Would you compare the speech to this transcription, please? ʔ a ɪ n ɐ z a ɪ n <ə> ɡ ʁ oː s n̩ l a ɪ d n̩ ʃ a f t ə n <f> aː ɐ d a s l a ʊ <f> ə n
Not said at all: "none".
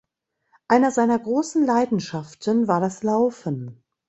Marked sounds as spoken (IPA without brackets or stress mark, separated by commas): ɐ, v, f